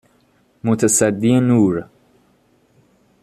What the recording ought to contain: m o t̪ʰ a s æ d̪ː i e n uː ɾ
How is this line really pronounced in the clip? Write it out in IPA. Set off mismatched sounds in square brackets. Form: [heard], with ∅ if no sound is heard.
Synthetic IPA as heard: m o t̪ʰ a s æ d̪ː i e n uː ɾ